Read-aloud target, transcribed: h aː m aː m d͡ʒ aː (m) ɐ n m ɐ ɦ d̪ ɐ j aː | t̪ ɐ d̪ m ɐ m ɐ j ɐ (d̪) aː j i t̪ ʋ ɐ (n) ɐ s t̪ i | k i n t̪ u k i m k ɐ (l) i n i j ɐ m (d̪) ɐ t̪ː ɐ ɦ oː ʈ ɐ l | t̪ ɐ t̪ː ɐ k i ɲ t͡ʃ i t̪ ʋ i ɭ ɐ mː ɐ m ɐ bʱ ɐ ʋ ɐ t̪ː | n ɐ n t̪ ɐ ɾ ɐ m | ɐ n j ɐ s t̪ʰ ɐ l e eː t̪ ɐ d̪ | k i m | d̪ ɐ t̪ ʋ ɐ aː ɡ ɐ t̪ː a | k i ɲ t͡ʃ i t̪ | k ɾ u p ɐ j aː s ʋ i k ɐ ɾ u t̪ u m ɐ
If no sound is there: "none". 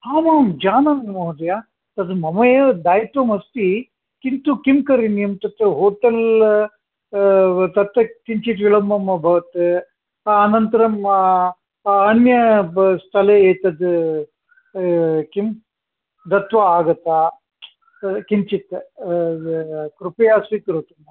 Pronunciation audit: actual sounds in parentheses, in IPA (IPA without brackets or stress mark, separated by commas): n, d̪, m, ɾ, t̪